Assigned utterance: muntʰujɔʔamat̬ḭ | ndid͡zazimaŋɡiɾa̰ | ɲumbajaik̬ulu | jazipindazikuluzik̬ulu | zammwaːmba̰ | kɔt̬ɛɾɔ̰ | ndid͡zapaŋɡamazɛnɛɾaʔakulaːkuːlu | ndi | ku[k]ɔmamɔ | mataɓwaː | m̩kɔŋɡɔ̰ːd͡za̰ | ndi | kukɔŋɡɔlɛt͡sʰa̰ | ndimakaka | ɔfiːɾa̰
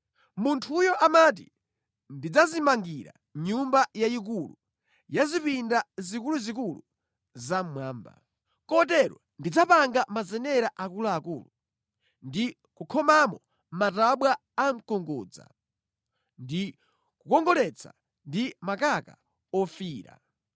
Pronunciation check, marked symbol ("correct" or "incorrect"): incorrect